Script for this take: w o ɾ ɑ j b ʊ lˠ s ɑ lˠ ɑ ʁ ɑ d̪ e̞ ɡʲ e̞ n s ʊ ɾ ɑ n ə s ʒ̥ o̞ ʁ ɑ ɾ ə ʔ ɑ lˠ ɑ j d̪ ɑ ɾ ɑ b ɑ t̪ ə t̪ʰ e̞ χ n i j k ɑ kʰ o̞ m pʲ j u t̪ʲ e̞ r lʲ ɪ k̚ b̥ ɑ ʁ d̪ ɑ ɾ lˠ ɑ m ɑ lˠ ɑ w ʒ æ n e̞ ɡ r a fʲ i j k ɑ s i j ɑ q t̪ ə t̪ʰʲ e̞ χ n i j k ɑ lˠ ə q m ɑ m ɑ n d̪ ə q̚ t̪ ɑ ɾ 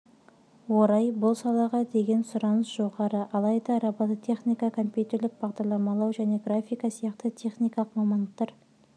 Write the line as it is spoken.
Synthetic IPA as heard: w o ɾ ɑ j b ʊ lˠ s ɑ lˠ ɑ ʁ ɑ d̪ e̞ ɡʲ e̞ n s ʊ ɾ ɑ n ə s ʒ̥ o̞ ʁ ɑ ɾ ə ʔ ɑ lˠ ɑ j d̪ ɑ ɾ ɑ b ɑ t̪ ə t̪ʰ e̞ χ n i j k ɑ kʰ o̞ m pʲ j u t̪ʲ e̞ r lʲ ɪ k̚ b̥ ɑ ʁ d̪ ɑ ɾ lˠ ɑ m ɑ lˠ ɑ w ʒ æ n e̞ ɡ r a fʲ i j k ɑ s i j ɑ q t̪ ə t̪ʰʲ e̞ χ n i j k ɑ lˠ ə q m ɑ m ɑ n d̪ ə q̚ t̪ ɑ ɾ